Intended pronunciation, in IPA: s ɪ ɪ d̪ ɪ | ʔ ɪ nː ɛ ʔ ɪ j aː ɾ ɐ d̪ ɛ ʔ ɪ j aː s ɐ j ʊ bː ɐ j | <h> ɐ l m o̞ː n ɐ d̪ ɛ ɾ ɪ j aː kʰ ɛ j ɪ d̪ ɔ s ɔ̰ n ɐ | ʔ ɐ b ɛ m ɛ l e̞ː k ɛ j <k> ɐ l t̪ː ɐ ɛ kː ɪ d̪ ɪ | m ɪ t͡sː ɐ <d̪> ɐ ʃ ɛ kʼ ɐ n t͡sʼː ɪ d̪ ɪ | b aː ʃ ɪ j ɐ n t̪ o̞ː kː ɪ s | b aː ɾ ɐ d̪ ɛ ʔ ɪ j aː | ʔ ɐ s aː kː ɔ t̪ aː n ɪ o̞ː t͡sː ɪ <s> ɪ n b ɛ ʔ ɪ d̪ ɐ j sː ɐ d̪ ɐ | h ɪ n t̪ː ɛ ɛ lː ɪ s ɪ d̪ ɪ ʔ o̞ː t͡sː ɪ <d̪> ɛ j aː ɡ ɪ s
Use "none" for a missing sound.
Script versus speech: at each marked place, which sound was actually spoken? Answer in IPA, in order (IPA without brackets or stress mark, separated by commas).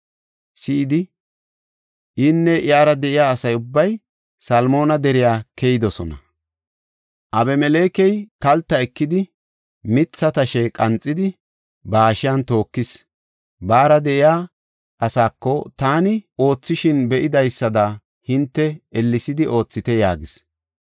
s, k, t̪, ʃ, t̪